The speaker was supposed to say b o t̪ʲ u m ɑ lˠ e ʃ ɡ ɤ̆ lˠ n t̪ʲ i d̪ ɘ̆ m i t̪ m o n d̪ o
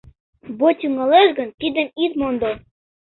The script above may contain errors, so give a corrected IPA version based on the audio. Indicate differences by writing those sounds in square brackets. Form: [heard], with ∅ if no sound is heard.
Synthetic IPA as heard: b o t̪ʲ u [ŋ] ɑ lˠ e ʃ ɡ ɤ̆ [∅] n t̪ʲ i d̪ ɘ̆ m i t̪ m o n d̪ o